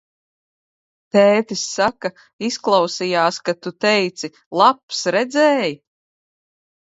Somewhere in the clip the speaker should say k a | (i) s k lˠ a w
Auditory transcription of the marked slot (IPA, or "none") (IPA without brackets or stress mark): i